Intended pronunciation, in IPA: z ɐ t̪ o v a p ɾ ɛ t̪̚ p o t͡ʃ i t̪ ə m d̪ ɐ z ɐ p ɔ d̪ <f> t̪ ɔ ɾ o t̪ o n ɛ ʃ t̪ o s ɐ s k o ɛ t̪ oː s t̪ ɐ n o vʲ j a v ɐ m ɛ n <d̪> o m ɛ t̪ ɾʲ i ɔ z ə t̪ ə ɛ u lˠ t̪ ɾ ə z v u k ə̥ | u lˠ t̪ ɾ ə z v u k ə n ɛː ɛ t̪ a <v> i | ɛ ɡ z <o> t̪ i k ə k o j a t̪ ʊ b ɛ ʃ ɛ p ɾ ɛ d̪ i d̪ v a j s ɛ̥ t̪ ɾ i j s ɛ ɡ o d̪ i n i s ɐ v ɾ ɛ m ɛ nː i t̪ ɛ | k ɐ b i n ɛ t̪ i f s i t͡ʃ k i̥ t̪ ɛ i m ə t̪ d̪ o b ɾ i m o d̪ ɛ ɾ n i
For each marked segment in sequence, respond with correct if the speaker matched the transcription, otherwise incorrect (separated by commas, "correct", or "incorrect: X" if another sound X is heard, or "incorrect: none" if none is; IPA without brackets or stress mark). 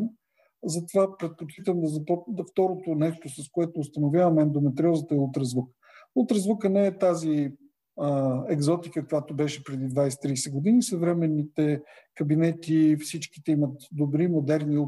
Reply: correct, correct, incorrect: z, incorrect: ɔ